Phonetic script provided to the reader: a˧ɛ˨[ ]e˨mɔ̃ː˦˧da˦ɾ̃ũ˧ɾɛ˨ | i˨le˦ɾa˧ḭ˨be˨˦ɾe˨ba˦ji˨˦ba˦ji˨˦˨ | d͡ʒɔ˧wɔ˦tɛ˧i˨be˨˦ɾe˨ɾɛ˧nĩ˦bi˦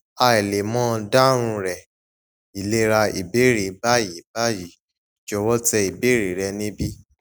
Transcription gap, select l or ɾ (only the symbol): l